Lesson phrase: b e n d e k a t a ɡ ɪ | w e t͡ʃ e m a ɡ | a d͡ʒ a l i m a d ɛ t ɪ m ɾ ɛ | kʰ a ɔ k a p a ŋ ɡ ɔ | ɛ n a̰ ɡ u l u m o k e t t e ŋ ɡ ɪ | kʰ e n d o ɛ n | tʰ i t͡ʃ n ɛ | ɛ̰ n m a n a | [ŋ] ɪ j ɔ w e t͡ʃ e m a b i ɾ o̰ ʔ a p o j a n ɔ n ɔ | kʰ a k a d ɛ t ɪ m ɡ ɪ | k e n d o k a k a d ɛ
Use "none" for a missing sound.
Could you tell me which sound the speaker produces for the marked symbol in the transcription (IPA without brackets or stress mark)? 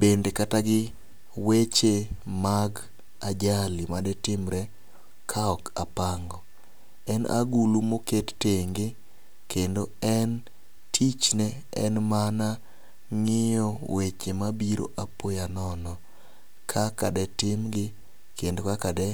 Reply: ŋ